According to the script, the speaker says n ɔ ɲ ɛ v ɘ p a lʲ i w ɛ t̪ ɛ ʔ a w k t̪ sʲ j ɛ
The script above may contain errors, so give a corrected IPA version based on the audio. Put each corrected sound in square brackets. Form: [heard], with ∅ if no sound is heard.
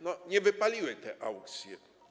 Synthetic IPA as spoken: n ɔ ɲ ɛ v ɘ p a lʲ i w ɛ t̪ ɛ ʔ a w k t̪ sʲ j ɛ